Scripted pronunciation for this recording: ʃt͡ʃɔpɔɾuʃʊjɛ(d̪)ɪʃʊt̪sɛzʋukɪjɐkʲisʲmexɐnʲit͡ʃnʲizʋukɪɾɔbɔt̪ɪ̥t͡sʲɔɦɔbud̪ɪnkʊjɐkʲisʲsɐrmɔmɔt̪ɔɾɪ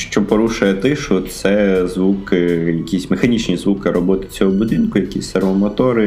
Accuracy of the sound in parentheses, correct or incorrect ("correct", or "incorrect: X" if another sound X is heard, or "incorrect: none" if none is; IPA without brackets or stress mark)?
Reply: incorrect: t̪